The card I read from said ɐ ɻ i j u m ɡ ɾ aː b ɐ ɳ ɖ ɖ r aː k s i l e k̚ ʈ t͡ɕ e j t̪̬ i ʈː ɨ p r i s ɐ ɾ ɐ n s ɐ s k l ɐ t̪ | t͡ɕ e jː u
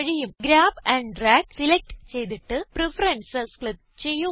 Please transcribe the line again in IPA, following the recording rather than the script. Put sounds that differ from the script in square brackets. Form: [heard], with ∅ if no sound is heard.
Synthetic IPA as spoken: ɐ ɻ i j u m ɡ ɾ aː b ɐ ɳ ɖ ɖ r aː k s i l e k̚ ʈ t͡ɕ e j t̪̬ i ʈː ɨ p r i [f] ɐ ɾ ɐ n s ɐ s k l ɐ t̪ | t͡ɕ e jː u